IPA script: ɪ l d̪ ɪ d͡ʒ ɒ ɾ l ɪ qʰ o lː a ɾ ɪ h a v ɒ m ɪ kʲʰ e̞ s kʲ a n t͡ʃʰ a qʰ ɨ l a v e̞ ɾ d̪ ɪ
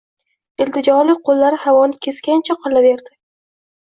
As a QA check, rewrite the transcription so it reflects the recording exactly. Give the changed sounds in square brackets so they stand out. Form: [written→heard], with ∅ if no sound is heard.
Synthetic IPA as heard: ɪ l [d̪→t̪] ɪ d͡ʒ ɒ ɾ l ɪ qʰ o lː a ɾ ɪ h a v ɒ [m→n] ɪ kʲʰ e̞ s kʲ a n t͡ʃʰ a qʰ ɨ l a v e̞ ɾ d̪ ɪ